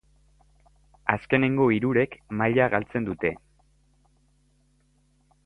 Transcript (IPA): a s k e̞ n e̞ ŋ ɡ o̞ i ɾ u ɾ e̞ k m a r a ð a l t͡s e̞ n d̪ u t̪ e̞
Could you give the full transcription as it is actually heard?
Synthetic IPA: a s k e̞ n e̞ ŋ ɡ o̞ i ɾ u ɾ e̞ k m a ʎ a ɣ a l t͡s e̞ n d̪ u t̪ e̞

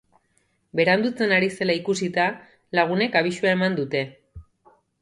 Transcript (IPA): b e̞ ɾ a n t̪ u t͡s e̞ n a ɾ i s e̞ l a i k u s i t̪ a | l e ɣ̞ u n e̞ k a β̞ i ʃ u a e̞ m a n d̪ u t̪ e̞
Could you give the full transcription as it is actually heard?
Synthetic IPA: b e̞ ɾ a n d̪ u t͡s e̞ n a ɾ i s e̞ l a i k u s i t̪ a | l a ɣ̞ u n e̞ k a β̞ i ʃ u a e̞ m a n d̪ u t̪ e̞

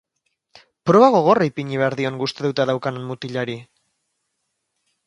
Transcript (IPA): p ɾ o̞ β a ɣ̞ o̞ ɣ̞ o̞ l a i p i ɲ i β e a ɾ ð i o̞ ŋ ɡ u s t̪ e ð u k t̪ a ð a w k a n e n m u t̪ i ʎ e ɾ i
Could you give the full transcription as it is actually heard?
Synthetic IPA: p ɾ o̞ β a ɣ̞ o̞ ɣ̞ o̞ r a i p i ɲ i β e a ɾ ð i o̞ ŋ ɡ u s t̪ e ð u t̪ a ð a w k a n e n m u t̪ i ʎ a ɾ i

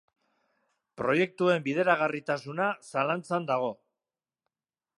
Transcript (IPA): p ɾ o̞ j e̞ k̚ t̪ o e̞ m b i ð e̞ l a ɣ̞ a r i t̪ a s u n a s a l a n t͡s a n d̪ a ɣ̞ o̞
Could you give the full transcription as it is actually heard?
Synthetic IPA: p ɾ o̞ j e̞ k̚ t̪ u e̞ m b i ð e̞ ɾ a ɣ̞ a r i t̪ a s u n a s a l a n t͡s a n d̪ a ɣ̞ o̞

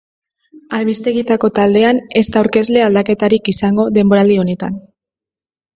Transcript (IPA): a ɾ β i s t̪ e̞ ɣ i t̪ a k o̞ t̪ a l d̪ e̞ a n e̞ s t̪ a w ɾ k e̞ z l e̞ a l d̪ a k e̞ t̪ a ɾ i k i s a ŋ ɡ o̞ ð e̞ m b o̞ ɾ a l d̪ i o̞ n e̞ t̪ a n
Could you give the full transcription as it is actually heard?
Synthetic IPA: a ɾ β i s t̪ e̞ ɣ i t̪ a k o̞ t̪ a l d̪ e̞ a n e̞ s t̪ a w ɾ k e̞ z l e̞ a l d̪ a k e̞ t̪ a ɾ i k i s a ŋ ɡ o̞ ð e̞ m b o̞ ɾ a l d̪ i o̞ n e̞ t̪ a n

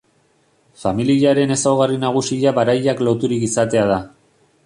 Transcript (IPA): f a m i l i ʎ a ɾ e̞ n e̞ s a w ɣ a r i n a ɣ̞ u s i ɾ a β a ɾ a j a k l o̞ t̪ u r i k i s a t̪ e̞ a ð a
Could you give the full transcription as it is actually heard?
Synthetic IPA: f a m i l i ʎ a ɾ e̞ n e̞ s a w ɣ a r i n a ɣ̞ u s i ʎ a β a ɾ a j a k l o̞ t̪ u ɾ i k i s a t̪ e̞ a ð a

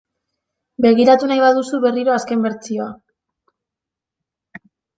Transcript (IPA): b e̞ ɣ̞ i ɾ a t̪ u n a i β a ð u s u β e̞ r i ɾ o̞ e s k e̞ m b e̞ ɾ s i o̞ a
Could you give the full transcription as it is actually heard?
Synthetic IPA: b e̞ ɣ̞ i ɾ a t̪ u n a j β a ð u s u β e̞ r i ɾ o̞ a s k e̞ m b e̞ ɾ t͡s i o̞ a

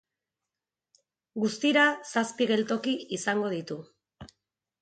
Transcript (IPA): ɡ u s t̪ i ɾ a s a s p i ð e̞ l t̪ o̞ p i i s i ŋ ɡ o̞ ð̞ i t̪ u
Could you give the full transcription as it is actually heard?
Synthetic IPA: ɡ u s t̪ i ɾ a s a s p i ɣ e̞ l t̪ o̞ k i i s a ŋ ɡ o̞ ð̞ i t̪ u

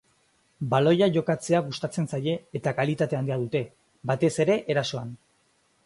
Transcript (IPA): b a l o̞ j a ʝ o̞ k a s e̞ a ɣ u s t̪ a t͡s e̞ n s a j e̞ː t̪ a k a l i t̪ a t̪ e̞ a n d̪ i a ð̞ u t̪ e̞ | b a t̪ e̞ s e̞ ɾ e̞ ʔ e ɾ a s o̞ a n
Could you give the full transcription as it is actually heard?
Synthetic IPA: b a l o̞ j a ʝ o̞ k a t͡s e̞ a ɣ u s t̪ a t͡s e̞ n s a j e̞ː t̪ a k a l i t̪ a t̪ e̞ a n d̪ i a ð̞ u t̪ e̞ | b a t̪ e̞ s e̞ ɾ e̞ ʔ e ɾ a s o̞ a n

